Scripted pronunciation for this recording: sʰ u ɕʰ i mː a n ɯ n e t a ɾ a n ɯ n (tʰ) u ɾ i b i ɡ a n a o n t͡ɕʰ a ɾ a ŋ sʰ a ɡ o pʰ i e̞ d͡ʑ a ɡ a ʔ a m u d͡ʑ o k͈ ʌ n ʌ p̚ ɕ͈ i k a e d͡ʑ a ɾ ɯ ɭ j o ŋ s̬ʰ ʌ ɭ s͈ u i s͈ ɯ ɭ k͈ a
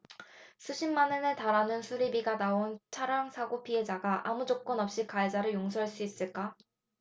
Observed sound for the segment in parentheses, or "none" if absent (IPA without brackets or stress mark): sʰ